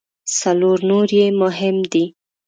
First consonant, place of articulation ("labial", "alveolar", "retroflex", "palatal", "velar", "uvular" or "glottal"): alveolar